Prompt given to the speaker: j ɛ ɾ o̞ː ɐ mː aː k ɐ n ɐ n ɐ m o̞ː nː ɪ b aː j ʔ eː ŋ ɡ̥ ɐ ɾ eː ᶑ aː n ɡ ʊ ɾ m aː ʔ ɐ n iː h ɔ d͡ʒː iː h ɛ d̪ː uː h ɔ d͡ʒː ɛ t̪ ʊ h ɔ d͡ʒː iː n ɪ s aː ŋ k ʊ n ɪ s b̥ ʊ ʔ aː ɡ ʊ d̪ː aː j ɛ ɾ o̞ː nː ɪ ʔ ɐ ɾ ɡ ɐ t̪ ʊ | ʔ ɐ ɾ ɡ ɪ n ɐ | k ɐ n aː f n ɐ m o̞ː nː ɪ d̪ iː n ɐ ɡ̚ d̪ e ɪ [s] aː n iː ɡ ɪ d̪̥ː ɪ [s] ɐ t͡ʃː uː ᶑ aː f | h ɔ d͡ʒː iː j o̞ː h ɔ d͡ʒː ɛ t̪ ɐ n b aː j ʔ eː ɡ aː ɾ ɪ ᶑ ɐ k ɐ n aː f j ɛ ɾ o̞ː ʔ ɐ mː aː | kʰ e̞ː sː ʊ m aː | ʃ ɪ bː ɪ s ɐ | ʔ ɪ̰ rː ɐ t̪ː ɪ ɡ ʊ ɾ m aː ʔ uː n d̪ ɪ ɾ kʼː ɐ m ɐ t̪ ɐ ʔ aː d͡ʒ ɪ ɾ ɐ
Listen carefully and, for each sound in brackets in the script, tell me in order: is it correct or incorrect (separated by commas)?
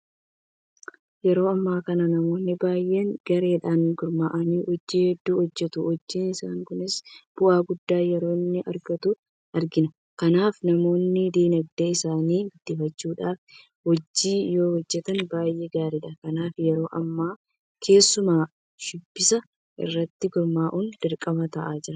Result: correct, incorrect